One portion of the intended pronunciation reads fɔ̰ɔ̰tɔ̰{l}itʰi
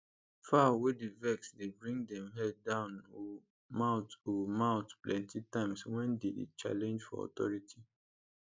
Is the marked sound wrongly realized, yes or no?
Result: yes